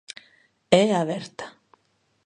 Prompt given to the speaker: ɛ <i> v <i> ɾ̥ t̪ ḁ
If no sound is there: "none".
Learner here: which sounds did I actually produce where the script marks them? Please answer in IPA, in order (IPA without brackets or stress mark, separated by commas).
a, ɛ